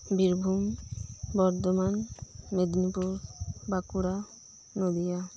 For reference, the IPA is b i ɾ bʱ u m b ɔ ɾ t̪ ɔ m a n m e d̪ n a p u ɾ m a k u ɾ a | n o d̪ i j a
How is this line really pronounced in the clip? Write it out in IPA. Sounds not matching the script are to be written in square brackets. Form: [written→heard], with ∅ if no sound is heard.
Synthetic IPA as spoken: b i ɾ bʱ u m b ɔ ɾ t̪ ɔ m a n m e d̪ n [a→i] p u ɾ [m→b] a k u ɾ a | n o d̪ i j a